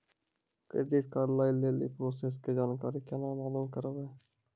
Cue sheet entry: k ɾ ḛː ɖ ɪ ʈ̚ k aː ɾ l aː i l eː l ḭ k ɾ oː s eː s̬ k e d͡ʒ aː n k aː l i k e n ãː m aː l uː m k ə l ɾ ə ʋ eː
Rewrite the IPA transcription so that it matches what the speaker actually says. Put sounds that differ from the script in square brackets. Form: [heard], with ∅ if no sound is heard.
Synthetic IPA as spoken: k ɾ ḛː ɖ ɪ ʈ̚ k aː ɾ l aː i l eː l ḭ [p] ɾ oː s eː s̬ k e d͡ʒ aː n k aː [ɾ] i k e n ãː m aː l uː m k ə [∅] ɾ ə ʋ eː